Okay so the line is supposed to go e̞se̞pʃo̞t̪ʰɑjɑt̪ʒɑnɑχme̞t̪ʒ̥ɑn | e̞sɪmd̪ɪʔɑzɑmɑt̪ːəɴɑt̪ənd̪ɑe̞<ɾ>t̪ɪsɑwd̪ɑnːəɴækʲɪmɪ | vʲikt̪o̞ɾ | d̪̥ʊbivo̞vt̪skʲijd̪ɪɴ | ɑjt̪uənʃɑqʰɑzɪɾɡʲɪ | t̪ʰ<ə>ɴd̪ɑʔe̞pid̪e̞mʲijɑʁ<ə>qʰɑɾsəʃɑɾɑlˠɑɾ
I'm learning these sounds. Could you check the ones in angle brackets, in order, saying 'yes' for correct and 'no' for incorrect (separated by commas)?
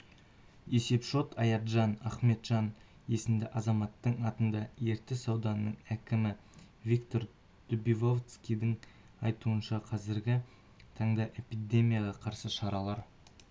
yes, no, no